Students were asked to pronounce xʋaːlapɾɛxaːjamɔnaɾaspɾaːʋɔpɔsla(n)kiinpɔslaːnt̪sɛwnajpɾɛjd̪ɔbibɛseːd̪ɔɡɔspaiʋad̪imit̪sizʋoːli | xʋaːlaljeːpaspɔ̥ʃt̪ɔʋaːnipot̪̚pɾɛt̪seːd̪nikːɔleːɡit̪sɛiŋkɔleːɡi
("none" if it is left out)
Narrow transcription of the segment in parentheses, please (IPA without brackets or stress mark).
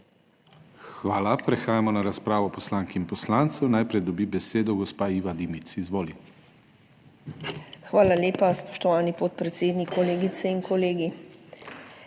ŋ